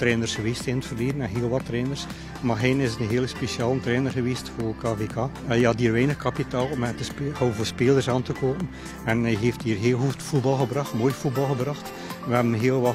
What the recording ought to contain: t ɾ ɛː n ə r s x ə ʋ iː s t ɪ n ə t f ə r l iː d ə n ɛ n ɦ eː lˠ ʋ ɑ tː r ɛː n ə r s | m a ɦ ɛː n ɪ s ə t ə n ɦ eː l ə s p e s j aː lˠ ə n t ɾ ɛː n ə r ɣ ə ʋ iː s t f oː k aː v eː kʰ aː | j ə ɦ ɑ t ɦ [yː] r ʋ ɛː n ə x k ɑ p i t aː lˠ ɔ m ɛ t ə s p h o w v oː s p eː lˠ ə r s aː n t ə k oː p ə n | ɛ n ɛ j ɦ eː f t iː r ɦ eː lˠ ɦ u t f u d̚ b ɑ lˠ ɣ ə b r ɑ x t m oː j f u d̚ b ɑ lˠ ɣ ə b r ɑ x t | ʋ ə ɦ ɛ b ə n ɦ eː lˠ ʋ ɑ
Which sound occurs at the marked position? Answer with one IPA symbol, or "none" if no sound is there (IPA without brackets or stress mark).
iː